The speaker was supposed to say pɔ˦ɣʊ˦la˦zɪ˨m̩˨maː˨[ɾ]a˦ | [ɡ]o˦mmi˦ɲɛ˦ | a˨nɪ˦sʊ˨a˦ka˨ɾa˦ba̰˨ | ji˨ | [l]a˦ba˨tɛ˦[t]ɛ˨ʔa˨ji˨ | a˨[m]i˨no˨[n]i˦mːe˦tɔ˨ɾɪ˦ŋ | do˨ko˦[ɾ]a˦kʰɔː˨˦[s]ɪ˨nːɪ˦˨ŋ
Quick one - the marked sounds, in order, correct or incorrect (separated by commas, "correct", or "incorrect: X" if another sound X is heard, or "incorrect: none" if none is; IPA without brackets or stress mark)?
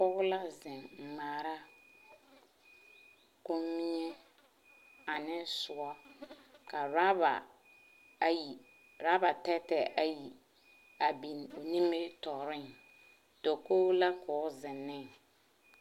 correct, incorrect: k, incorrect: ɾ, correct, incorrect: b, correct, incorrect: l, incorrect: z